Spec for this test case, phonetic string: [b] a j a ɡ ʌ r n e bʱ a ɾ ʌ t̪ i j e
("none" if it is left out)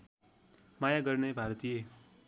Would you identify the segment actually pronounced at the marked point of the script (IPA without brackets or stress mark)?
m